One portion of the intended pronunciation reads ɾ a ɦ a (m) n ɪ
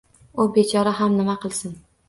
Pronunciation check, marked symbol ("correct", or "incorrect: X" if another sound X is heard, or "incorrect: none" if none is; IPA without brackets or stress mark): correct